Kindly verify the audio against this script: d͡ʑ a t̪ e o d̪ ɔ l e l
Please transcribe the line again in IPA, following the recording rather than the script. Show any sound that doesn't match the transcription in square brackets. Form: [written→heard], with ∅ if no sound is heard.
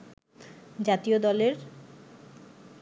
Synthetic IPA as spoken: d͡ʑ a t̪ [e→i] o d̪ ɔ l e [l→ɾ]